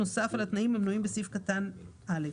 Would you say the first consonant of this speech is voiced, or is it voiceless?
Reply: voiceless